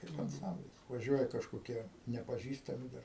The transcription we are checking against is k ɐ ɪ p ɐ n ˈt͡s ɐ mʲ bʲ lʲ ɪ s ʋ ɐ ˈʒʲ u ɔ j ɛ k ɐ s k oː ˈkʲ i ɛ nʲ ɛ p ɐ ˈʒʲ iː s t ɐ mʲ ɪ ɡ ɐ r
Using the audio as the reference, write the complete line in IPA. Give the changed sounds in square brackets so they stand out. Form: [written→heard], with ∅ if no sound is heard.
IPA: k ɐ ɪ p ɐ n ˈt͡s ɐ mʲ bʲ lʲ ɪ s ʋ ɐ ˈʒʲ u ɔ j ɛ k ɐ [s→ʃ] k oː ˈkʲ i ɛ nʲ ɛ p ɐ ˈʒʲ iː s t ɐ mʲ ɪ [ɡ→d] ɐ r